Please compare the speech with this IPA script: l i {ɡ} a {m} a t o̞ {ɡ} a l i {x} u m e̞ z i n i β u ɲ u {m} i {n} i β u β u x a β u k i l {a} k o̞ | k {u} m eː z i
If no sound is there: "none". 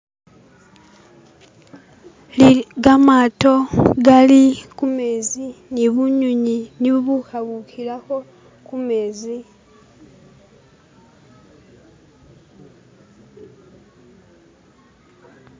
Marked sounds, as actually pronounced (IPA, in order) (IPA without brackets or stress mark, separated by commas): ɡ, m, ɡ, k, ɲ, n, a, u